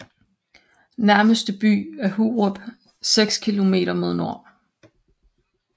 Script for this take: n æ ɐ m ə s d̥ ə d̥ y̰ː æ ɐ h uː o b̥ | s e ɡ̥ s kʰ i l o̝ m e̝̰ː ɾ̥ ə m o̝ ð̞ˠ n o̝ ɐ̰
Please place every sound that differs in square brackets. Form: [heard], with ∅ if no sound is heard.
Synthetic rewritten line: n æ ɐ m ə s d̥ ə [b̥] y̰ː æ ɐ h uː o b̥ | s e ɡ̥ s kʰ i l o̝ m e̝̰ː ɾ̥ [ɐ] m o̝ ð̞ˠ n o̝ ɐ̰